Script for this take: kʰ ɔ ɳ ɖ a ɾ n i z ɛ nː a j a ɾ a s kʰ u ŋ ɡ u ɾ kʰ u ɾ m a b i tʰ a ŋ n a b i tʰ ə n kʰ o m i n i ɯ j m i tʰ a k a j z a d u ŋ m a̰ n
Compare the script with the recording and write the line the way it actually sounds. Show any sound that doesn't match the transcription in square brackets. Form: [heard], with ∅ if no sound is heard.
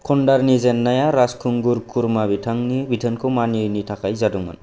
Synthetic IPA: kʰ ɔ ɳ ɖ a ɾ n i z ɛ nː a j a ɾ a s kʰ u ŋ ɡ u ɾ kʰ u ɾ m a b i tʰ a ŋ n [i] b i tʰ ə n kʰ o m [a] n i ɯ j [n] i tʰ a k a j z a d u ŋ m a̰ n